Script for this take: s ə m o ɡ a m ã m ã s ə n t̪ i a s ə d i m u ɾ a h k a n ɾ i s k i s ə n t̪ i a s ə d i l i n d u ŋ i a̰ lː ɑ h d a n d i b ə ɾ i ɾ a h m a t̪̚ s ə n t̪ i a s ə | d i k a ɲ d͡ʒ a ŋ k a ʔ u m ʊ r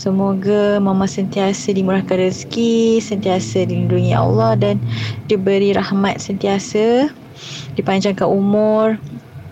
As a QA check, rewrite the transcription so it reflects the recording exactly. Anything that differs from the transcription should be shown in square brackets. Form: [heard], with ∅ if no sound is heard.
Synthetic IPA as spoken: s ə m o ɡ a m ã m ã s ə n t̪ i a s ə d i m u ɾ a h k a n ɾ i s k i s ə n t̪ i a s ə d i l i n d u ŋ i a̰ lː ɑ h d a n d i b ə ɾ i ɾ a h m a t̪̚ s ə n t̪ i a s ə | d i [p] a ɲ d͡ʒ a ŋ k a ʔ u m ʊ r